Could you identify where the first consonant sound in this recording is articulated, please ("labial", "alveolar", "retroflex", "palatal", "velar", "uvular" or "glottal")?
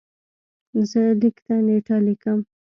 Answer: alveolar